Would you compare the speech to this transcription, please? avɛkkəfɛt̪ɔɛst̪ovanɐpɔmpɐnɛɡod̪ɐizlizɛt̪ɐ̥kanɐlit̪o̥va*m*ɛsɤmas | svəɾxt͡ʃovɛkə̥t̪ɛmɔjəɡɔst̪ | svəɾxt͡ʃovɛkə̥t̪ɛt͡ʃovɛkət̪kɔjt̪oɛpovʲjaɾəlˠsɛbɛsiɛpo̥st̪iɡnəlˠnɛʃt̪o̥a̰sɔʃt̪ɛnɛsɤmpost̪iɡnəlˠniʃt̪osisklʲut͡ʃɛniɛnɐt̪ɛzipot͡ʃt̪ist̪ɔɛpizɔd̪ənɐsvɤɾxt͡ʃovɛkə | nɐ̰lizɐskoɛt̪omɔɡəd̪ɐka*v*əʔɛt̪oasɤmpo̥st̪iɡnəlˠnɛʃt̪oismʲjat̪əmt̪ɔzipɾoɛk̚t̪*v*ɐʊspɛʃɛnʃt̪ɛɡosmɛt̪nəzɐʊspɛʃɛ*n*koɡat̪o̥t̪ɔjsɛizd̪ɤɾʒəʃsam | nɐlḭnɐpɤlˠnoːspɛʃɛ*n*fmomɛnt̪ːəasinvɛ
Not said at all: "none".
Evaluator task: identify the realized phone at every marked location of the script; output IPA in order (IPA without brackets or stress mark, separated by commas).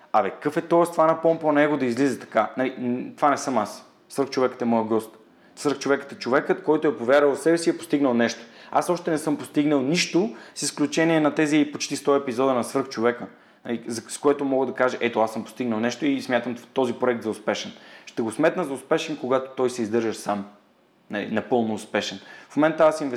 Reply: n, ʒ, z, n, n